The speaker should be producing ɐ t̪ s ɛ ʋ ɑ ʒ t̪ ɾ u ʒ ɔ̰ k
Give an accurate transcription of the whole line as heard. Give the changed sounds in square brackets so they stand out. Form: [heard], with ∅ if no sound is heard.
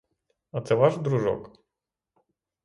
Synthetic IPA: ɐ t̪ s ɛ ʋ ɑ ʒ [d̪] ɾ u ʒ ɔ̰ k